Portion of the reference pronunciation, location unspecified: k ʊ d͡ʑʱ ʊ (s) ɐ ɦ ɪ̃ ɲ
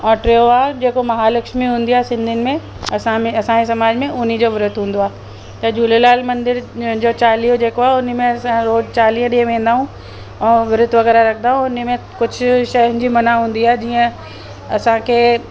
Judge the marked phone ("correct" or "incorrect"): incorrect